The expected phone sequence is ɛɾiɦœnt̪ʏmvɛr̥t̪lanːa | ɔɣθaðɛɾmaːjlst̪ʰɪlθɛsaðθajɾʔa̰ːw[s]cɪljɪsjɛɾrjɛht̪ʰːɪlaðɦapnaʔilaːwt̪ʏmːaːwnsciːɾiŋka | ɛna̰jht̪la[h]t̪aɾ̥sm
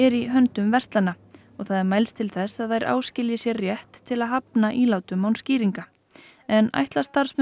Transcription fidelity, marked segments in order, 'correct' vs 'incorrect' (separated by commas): correct, incorrect